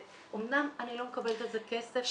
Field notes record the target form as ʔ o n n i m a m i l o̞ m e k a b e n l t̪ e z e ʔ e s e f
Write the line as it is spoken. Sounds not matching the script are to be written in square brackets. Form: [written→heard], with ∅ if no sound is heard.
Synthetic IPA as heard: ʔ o [n→m] n [i→a] m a [m→n] i l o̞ m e k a b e [n→∅] l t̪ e z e [ʔ→k] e s e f

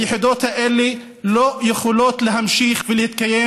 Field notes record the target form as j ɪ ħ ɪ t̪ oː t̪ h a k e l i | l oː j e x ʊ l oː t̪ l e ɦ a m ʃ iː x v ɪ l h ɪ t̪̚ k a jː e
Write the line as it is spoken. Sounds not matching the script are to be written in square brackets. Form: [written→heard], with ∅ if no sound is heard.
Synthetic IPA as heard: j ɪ ħ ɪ [t̪→d̪] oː t̪ h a [k→ʔ] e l i | l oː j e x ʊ l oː t̪ l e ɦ a m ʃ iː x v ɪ l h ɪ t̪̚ k a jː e

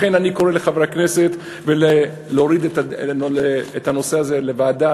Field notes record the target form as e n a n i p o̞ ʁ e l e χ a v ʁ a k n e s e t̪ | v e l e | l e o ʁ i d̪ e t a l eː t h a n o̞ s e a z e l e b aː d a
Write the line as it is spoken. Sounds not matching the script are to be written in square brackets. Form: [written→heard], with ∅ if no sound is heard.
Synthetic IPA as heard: e n a n i [p→k] o̞ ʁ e l e χ a v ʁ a k n e s e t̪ | v e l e | l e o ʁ i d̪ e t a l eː t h a n o̞ s e a z e l e [b→v] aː d a

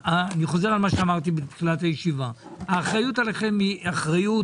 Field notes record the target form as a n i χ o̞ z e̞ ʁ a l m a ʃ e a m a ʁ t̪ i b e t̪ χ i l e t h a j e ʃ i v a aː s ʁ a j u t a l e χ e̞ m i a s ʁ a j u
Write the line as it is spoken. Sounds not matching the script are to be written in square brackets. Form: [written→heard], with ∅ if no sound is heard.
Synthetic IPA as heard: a n i χ o̞ z e̞ ʁ a l m a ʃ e a m a ʁ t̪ i b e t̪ χ i l [e→a] t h a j e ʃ i v a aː [s→χ] ʁ a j u t a l e χ e̞ m i a [s→χ] ʁ a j u

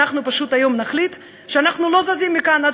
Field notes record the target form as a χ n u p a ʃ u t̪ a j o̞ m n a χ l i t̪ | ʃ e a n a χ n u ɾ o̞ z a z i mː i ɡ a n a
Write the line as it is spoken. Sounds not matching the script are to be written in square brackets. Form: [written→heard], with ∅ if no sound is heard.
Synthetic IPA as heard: a χ n u p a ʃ u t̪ a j o̞ m n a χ l i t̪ | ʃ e a n a χ n u [ɾ→l] o̞ z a z i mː i [ɡ→k] a n a

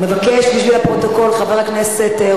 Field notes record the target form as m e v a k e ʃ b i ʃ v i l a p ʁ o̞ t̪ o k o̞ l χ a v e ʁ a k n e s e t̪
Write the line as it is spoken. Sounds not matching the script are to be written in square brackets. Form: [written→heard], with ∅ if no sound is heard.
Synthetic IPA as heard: m e v a k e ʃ b i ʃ v i l a p ʁ o̞ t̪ o k o̞ l χ a v e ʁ a k n e s e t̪

